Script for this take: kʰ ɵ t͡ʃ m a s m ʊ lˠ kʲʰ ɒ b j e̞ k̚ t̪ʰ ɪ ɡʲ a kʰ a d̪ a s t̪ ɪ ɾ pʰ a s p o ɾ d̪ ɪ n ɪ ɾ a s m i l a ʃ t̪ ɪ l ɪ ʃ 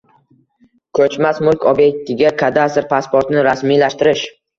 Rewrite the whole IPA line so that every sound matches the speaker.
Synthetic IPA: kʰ ɵ t͡ʃ m a s m ʊ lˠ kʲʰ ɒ b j e̞ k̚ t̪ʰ ɪ ɡʲ a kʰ a d̪ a s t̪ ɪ ɾ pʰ a s p o ɾ t̪ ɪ n ɪ ɾ a s m i l a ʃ t̪ ɪ ɾ ɪ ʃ